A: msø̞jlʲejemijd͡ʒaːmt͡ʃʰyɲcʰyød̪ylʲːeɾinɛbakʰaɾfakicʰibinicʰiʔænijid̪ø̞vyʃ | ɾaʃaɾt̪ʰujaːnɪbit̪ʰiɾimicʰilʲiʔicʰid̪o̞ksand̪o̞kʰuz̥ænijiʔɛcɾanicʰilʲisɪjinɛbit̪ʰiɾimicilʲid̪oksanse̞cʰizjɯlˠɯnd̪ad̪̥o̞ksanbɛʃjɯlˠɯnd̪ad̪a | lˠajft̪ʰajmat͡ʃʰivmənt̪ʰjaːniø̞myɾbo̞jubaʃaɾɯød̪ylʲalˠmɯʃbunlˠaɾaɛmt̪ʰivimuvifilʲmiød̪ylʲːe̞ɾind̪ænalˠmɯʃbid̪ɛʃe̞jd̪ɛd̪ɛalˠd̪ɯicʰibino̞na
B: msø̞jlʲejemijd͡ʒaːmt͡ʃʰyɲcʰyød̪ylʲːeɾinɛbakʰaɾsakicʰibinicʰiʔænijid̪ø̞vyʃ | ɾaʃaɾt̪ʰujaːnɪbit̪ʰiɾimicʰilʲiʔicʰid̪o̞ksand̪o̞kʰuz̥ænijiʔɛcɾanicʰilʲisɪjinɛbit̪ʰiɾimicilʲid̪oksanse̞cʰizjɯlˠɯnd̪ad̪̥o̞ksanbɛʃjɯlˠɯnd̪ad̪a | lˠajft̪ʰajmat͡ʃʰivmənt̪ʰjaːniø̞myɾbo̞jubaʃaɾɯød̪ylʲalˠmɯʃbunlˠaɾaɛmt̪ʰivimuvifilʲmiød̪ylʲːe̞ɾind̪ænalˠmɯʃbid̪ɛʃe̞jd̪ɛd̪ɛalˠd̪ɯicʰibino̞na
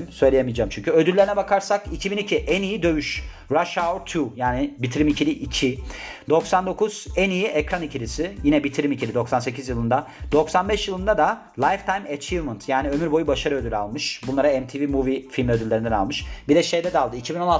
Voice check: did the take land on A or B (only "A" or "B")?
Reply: B